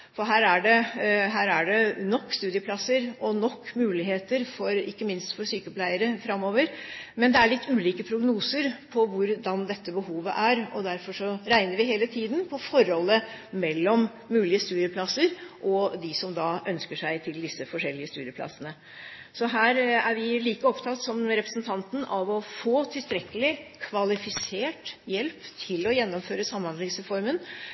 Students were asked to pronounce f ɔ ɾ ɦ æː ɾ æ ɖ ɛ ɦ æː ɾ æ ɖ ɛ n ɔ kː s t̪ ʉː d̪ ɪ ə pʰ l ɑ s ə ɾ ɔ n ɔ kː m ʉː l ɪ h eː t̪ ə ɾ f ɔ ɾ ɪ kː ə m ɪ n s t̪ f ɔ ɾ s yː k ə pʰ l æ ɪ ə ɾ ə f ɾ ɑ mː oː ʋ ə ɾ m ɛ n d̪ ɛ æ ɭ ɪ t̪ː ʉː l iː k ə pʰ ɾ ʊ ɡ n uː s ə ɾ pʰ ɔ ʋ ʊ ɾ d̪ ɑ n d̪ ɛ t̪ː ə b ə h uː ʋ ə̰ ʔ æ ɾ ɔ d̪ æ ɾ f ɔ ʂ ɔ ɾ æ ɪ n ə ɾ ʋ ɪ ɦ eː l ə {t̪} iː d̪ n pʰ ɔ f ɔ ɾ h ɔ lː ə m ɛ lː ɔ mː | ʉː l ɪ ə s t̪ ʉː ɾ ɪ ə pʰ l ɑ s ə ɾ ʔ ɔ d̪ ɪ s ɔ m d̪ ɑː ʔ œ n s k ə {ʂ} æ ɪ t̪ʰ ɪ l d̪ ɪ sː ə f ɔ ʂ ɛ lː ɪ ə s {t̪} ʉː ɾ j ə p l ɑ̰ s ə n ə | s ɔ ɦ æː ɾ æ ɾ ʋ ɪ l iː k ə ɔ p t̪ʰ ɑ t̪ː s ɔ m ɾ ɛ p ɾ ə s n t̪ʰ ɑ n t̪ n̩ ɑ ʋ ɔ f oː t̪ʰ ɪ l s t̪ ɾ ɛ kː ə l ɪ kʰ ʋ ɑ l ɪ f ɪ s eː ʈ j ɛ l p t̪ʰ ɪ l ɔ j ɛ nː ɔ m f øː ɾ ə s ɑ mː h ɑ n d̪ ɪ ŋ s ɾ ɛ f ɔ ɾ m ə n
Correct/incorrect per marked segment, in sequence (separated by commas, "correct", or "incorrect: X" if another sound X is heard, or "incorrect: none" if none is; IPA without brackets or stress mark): incorrect: t̪ʰ, correct, correct